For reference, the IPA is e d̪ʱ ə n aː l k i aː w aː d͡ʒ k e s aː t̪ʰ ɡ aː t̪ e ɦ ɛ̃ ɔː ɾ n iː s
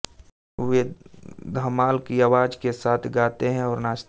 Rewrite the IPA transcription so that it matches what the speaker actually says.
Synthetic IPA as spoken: e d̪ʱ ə m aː l k i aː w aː d͡ʒ k e s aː t̪ʰ ɡ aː t̪ e ɦ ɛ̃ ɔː ɾ n aː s